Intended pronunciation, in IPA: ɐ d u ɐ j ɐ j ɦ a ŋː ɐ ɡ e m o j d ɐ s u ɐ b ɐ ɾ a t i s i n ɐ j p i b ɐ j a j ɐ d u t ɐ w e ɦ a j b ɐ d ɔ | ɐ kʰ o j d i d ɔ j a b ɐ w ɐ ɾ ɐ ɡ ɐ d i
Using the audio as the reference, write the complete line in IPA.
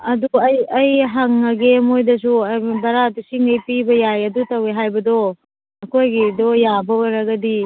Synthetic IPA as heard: ɐ d u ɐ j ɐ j ɦ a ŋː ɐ ɡ e m o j d ɐ s u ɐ b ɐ ɾ a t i s i ŋ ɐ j p i b ɐ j a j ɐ d u t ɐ w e ɦ a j b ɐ d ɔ | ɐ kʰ o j ɡ i d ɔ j a b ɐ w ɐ ɾ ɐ ɡ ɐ d i

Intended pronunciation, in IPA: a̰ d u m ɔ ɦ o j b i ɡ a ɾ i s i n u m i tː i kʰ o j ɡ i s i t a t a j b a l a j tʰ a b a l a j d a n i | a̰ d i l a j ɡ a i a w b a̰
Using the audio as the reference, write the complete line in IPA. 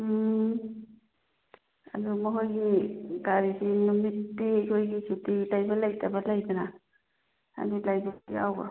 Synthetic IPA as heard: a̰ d u m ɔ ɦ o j ɡ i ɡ a ɾ i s i n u m i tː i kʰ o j ɡ i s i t i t a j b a l a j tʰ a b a l a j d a n a | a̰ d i l a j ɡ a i a w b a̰

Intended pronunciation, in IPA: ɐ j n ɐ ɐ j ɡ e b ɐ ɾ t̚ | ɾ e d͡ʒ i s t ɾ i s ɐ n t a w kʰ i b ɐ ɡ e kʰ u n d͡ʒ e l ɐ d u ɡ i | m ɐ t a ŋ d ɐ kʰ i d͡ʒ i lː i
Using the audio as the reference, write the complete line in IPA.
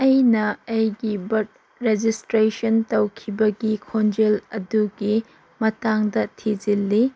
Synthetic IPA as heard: ɐ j n ɐ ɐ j ɡ i b ɐ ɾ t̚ | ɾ e d͡ʒ i s t ɾ e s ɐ n t ɐ w kʰ i b ɐ ɡ i kʰ o n d͡ʒ e l ɐ d u ɡ i | m ɐ t a ŋ d ɐ tʰ i d͡ʒ i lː i

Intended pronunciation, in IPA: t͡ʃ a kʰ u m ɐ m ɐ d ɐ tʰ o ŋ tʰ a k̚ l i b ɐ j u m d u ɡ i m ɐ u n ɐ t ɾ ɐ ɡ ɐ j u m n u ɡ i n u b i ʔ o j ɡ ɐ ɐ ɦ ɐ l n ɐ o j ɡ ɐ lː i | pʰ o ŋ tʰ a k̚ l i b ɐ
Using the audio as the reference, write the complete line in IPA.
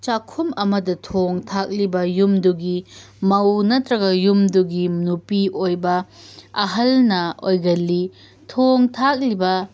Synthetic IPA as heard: t͡ʃ a kʰ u m ɐ m ɐ d ɐ tʰ o ŋ tʰ a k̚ l i b ɐ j u m d u ɡ i m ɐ w n ɐ t ɾ ɐ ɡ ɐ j u m d u ɡ i n u p i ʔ o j b ɐ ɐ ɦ ɐ l n ɐ o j ɡ ɐ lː i | tʰ o ŋ tʰ a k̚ l i b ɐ

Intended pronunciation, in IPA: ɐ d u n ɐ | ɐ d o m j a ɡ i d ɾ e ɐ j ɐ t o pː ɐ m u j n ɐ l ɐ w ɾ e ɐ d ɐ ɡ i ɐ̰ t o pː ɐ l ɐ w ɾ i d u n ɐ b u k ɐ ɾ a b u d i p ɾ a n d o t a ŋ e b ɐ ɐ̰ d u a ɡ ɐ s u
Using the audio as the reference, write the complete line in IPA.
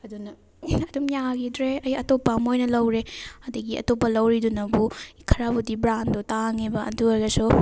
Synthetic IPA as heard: ɐ d u n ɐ | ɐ d u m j a ɡ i d ɾ e ɐ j ɐ t o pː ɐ m o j n ɐ l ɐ w ɾ e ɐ d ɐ ɡ i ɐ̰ t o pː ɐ l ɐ w ɾ i d u n ɐ b u kʰ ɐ ɾ a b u d i b ɾ a n d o t a ŋ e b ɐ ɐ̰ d u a ɡ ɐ s u

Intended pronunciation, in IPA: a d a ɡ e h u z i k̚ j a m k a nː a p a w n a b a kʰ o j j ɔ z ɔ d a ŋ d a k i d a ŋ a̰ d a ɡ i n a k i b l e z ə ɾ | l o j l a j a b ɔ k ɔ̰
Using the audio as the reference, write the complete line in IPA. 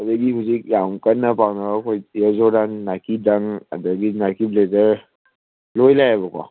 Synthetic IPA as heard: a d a ɡ i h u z i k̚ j a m k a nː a p a w n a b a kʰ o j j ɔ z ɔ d a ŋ n a k i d a ŋ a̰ d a ɡ i n a k i b l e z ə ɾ | l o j l a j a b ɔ k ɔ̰

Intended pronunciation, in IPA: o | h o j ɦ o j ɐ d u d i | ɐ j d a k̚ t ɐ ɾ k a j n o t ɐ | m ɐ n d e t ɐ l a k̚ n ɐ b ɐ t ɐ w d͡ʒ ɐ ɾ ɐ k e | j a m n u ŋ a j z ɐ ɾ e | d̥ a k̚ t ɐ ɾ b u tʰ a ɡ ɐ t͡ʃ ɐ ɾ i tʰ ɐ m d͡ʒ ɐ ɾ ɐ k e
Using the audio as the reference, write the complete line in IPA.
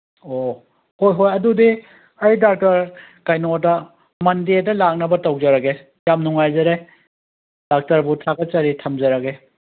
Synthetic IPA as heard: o | h o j ɦ o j ɐ d u d i | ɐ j d a k̚ t ɐ ɾ k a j n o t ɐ | m ɐ n d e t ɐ l a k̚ n ɐ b ɐ t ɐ w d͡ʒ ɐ ɾ ɐ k e | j a m n u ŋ a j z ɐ ɾ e | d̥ a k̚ t ɐ ɾ b u tʰ a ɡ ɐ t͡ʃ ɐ ɾ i tʰ ɐ m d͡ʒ ɐ ɾ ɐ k e

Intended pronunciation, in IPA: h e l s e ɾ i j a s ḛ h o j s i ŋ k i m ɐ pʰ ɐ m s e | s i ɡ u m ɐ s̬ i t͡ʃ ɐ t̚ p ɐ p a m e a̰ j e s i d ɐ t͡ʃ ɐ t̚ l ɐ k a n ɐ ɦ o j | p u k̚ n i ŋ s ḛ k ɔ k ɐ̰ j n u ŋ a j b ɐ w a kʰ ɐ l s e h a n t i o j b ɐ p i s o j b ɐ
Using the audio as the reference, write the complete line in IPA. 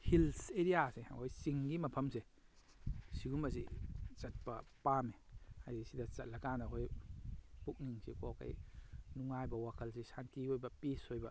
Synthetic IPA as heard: h i l s e ɾ i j a s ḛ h o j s i ŋ ɡ i m ɐ pʰ ɐ m s e | s i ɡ u m ɐ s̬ i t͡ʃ ɐ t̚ p ɐ p a m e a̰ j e s i d ɐ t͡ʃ ɐ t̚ l ɐ k a n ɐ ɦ o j | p u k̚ n i ŋ s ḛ k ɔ k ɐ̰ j n u ŋ a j b ɐ w a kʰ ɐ l s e s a n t i o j b ɐ p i s o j b ɐ

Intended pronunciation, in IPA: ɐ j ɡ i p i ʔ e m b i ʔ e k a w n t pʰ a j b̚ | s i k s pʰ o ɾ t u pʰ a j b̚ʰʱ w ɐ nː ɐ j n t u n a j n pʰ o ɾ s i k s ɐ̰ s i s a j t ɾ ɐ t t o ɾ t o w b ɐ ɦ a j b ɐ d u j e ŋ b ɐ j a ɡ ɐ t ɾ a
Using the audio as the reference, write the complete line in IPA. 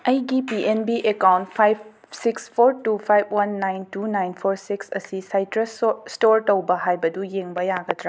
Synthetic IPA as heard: ɐ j ɡ i p i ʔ e n b i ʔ e k a w n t pʰ a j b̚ | s i k s pʰ o ɾ t u pʰ a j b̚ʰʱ w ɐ nː a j n t u n a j n pʰ o ɾ s i k s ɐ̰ s i s a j t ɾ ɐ s t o ɾ t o w b ɐ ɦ a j b ɐ d u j e ŋ b ɐ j a ɡ ɐ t ɾ a

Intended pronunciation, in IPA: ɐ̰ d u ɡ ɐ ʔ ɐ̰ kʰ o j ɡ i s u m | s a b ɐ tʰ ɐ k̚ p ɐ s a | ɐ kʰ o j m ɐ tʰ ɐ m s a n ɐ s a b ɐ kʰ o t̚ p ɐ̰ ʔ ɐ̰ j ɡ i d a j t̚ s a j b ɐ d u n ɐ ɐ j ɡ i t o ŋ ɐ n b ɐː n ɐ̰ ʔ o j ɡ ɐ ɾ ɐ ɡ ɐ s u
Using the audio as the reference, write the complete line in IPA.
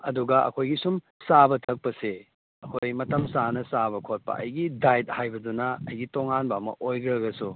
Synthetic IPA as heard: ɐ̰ d u ɡ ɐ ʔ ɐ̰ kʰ o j ɡ i s u m | s a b ɐ tʰ ɐ k̚ p ɐ s e | ɐ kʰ o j m ɐ t ɐ m s a n ɐ s a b ɐ kʰ o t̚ p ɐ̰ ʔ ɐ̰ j ɡ i d a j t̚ h a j b ɐ d u n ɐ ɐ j ɡ i t o ŋ a n b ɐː m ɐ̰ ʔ o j ɡ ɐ ɾ ɐ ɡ ɐ s u

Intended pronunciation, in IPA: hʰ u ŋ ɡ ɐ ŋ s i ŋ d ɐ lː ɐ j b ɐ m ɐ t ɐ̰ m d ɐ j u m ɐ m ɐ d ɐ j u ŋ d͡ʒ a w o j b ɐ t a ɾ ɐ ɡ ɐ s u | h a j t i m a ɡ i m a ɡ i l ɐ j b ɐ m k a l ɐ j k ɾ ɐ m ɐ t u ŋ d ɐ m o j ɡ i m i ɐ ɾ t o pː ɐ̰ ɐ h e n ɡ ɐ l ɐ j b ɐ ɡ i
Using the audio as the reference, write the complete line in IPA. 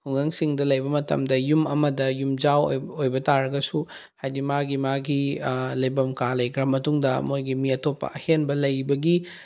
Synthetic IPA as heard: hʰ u ŋ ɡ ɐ ŋ s i ŋ d ɐ l ɐ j b ɐ m ɐ t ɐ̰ m d ɐ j u m ɐ m ɐ d ɐ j u m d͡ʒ a w o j b ɐ t a ɾ ɐ ɡ ɐ s u | h a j d i m a ɡ i m a ɡ i l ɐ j b ɐ m k a l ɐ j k ɾ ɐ m ɐ t u ŋ d ɐ m o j ɡ i m i ɐ t o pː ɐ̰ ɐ h e n b ɐ l ɐ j b ɐ ɡ i

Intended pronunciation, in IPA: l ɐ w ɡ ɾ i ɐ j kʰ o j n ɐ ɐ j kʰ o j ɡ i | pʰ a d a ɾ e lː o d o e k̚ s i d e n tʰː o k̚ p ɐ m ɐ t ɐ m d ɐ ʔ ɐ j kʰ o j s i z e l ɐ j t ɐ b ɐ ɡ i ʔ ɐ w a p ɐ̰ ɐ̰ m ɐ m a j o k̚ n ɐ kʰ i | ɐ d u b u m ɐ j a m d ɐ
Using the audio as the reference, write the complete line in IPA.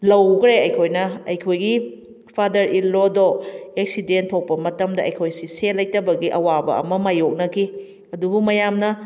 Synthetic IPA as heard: l ɐ w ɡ ɾ e ɐ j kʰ o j n ɐ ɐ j kʰ o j ɡ i | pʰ a d ɐ ɾ i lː o d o e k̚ s i d e n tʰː o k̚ p ɐ m ɐ t ɐ m d ɐ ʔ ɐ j kʰ o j s i s e l ɐ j t ɐ b ɐ ɡ i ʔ ɐ w a b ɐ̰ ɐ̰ m ɐ m a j o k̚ n ɐ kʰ i | ɐ d u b u m ɐ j a m n ɐ

